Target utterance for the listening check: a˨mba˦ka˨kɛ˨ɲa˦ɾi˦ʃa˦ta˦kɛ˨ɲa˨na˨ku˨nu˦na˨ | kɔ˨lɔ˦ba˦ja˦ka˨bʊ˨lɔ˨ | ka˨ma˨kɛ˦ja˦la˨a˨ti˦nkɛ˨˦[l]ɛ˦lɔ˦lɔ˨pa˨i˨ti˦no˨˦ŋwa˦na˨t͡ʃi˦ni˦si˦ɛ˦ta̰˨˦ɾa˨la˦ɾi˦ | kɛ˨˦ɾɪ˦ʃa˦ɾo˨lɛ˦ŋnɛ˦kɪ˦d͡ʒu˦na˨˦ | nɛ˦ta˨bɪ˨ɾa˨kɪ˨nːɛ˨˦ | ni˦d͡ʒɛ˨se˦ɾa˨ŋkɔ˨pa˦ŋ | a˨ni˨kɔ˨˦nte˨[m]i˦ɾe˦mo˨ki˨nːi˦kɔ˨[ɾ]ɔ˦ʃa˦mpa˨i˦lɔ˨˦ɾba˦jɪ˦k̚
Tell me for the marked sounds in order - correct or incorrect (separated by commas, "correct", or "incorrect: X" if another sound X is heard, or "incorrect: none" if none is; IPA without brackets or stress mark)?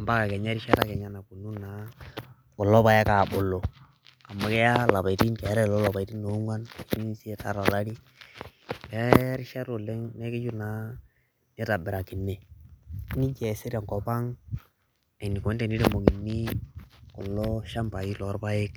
incorrect: ɾ, incorrect: n, incorrect: l